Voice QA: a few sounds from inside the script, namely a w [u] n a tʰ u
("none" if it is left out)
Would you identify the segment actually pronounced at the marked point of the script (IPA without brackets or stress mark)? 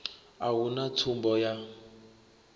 u